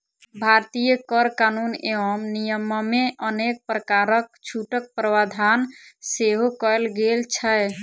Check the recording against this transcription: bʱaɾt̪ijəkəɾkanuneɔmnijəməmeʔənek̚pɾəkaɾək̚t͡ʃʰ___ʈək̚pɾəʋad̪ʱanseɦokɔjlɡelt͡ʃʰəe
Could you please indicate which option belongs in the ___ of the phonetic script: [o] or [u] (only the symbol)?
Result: u